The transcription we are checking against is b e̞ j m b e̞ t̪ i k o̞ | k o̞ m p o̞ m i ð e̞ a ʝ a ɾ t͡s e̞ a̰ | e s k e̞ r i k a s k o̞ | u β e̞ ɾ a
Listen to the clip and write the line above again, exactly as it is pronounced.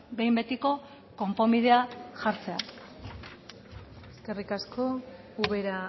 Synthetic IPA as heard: b e̞ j m b e̞ t̪ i k o̞ | k o̞ m p o̞ m i ð e̞ a ʝ a ɾ t͡s e̞ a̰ | e s k e̞ r i k a s k o̞ | u β e̞ ɾ a